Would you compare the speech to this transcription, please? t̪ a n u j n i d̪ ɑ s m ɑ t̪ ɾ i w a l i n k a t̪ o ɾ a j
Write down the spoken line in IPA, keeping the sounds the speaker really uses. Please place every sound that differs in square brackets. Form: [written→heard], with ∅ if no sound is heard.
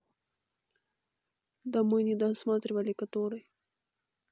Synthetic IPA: [t̪→d̪] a [n→m] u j n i d̪ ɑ s m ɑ t̪ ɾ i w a l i [n→∅] k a t̪ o ɾ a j